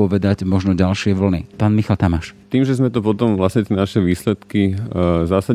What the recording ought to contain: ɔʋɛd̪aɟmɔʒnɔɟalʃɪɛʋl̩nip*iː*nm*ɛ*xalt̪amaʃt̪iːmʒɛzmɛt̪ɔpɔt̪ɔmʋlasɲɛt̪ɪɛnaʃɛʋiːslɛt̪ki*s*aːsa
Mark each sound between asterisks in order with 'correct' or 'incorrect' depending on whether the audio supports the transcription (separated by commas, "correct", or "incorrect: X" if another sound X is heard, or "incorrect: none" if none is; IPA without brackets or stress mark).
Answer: incorrect: aː, incorrect: i, incorrect: z